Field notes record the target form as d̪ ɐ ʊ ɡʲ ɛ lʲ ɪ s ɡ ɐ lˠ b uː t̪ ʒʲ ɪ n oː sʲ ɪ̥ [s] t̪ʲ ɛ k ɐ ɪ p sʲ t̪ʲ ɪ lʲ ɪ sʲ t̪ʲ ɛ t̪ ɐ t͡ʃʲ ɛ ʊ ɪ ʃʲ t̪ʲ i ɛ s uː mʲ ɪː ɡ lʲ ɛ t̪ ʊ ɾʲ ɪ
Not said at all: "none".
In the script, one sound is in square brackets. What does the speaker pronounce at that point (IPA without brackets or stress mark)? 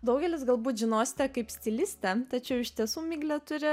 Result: none